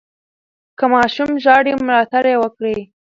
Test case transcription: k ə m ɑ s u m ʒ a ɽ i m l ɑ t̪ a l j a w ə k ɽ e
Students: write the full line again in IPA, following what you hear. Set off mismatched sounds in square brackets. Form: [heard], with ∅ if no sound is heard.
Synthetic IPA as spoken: k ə m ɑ [ʃ] u m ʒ [ɑ] ɽ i m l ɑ t̪ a [ɾ] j [e] w ə k ɽ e

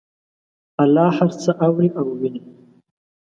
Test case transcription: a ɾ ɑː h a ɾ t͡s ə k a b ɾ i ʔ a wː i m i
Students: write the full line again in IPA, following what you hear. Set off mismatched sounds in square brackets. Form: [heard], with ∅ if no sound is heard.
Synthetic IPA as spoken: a [l] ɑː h a ɾ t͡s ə [ʔ] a [w] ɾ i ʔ a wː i [n] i

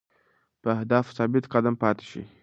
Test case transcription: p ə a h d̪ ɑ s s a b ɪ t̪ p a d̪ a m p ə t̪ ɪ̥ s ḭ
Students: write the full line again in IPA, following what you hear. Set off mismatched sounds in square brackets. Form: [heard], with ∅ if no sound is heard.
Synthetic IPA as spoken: p ə a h d̪ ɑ [f] s [ɑ] b ɪ t̪ [q] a d̪ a m p [ɑ] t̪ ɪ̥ [ʃ] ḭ

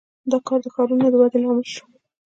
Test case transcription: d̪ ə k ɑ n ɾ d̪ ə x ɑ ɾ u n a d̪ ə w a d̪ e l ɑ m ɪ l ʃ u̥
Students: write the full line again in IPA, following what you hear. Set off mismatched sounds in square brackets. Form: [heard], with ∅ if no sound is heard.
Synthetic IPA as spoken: d̪ [ɑ] k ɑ [∅] ɾ d̪ ə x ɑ ɾ u n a d̪ ə w a d̪ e l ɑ m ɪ l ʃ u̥

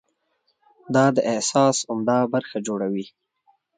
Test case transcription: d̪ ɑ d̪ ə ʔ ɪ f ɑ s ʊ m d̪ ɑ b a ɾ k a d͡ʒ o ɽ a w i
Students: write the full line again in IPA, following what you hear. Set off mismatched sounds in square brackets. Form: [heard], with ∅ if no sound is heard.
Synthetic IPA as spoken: d̪ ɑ d̪ ə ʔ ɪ [s] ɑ s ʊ m d̪ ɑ b a ɾ [x] a d͡ʒ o ɽ a w i

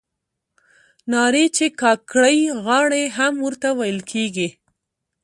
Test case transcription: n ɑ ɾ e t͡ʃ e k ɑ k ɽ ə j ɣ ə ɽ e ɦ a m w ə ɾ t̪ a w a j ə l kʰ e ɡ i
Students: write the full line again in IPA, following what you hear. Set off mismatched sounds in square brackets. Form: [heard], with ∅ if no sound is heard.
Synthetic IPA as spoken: n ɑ ɾ e t͡ʃ e k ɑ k ɽ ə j ɣ [ɑ] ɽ e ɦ a m w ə ɾ t̪ a w a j ə l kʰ e ɡ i

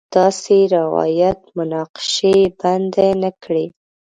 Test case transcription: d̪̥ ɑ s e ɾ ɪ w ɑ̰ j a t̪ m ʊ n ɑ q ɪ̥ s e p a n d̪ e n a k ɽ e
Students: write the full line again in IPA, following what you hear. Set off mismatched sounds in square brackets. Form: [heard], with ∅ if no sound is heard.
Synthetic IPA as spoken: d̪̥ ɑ s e ɾ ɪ w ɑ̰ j a t̪ m ʊ n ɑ q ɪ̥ [ʃ] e [b] a n d̪ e n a k ɽ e

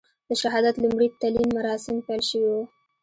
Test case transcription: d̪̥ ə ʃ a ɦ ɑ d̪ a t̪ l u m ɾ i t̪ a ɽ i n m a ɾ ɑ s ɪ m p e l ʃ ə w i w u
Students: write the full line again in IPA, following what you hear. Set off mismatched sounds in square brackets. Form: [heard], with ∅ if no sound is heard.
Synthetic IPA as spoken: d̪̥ ə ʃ a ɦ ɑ d̪ a t̪ l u m [ɽ] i t̪ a [l] i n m a ɾ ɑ s ɪ m p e l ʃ ə w i w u

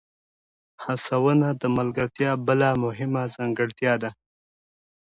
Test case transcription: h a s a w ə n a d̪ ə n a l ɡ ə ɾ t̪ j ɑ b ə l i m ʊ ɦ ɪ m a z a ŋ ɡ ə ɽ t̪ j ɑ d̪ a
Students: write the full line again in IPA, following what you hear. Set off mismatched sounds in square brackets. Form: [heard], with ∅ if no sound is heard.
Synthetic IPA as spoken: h a s a w ə n a d̪ ə [m] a l ɡ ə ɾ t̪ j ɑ b ə l [a] m ʊ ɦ ɪ m a z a ŋ ɡ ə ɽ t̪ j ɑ d̪ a

